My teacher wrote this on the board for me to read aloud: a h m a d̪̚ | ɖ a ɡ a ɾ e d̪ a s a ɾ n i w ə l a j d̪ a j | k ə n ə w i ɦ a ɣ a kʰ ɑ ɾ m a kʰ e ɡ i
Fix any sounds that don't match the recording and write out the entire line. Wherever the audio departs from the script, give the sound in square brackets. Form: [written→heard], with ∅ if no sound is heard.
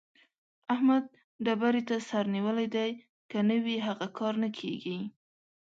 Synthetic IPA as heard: a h m a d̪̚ | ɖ a [ɡ→b] a ɾ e [d̪→t̪] a s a ɾ n i w ə l a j d̪ a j | k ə n ə w i ɦ a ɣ a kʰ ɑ ɾ [m→n] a kʰ e ɡ i

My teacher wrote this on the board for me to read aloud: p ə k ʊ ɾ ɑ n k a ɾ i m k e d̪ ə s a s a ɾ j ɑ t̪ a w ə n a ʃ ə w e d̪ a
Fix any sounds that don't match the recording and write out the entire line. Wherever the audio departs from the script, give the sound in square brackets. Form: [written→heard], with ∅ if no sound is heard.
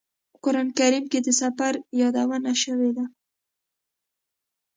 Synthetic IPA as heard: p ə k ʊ ɾ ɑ n k a ɾ i m k e d̪ ə s a [s→f] a ɾ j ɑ [t̪→d̪] a w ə n a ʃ ə w e d̪ a

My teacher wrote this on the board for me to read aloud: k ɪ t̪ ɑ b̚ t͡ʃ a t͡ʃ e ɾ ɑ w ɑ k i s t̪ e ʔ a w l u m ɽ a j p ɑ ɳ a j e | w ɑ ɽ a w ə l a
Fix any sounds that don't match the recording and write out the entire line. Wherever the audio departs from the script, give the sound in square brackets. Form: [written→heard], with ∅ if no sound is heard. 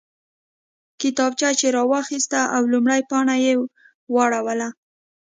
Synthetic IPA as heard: k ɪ t̪ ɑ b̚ t͡ʃ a t͡ʃ e ɾ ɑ w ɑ [k→x] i s t̪ [e→a] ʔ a w l u m ɽ a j p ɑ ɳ a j e | w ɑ ɽ a w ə l a

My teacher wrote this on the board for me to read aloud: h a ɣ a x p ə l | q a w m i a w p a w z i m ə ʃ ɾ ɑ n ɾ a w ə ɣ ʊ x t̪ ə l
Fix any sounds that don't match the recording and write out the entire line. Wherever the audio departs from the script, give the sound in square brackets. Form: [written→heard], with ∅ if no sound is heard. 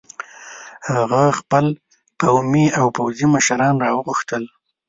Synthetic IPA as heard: h a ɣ a x p ə l | q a w m i a w p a w z i m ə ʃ ɾ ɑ n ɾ [a→ɑ] w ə ɣ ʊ x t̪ ə l

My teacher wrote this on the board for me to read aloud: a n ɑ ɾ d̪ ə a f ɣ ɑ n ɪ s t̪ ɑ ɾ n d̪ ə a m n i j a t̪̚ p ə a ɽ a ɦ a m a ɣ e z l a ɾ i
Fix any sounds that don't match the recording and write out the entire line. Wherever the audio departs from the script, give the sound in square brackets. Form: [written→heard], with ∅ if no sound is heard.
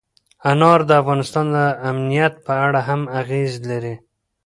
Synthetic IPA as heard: a n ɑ ɾ d̪ ə a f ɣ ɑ n ɪ s t̪ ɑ [ɾ→∅] n d̪ ə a m n i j a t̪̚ p ə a ɽ a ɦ a m a ɣ e z l a ɾ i

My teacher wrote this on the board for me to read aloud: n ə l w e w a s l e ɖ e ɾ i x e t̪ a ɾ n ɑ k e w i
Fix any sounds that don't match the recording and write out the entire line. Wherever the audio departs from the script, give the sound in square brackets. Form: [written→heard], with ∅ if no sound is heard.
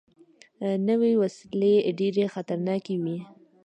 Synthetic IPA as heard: n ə [l→∅] w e w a s l e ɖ e ɾ [i→e] x [e→a] t̪ a ɾ n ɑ k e w i

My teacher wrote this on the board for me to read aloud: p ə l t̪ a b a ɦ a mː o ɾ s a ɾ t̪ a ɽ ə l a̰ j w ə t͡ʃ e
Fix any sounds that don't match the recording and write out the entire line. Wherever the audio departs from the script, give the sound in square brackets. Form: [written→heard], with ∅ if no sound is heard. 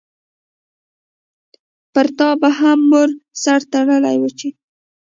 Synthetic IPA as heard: p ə [l→ɾ] t̪ [a→ɑ] b a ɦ a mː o ɾ s a ɾ t̪ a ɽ ə l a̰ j w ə t͡ʃ e

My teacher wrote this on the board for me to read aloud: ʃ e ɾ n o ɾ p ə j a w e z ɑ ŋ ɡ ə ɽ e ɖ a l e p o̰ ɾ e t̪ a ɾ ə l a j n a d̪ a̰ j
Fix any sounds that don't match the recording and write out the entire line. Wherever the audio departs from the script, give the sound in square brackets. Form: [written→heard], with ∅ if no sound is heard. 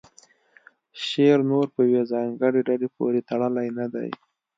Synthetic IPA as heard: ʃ e ɾ n o ɾ p ə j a w e z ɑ ŋ ɡ ə ɽ e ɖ a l e p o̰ ɾ e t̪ a [ɾ→ɽ] ə l a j n a d̪ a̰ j

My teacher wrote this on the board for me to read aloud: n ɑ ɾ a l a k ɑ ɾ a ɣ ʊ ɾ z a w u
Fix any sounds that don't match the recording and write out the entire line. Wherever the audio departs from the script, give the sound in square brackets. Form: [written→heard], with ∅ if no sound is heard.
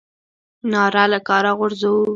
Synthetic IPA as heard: n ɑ ɾ a l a k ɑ ɾ a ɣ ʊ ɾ z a w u

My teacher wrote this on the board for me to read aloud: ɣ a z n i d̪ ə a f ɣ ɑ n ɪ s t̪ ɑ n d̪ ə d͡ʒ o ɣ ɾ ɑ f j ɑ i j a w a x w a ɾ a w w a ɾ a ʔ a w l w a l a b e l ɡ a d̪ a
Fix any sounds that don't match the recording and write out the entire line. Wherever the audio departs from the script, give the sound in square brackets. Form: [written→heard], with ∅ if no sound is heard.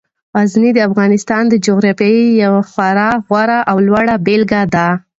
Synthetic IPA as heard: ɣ a z n i d̪ ə a f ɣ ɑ n ɪ s t̪ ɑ n d̪ ə d͡ʒ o ɣ ɾ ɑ f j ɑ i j a w a x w a ɾ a [w→ɣ] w a ɾ a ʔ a w l w a [l→ɽ] a b e l ɡ a d̪ a

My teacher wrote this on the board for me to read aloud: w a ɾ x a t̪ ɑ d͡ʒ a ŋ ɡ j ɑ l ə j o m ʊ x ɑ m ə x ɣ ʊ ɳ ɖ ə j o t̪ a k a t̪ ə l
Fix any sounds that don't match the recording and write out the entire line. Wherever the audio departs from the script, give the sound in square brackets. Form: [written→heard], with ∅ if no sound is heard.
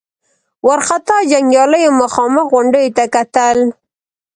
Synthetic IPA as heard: w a ɾ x a t̪ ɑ d͡ʒ a ŋ ɡ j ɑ l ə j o m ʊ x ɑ m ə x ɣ ʊ ɳ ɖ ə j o t̪ a k a t̪ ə l

